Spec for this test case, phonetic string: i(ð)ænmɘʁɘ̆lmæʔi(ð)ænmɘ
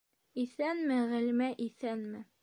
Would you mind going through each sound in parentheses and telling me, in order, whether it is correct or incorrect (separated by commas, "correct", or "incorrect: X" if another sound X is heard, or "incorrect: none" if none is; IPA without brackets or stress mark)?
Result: incorrect: θ, incorrect: θ